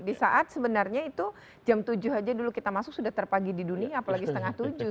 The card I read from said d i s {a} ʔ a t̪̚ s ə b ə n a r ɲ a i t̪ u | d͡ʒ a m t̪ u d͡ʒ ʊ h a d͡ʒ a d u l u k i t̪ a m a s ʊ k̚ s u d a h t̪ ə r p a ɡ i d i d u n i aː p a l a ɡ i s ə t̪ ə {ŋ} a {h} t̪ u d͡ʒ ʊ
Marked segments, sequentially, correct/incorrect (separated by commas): correct, correct, correct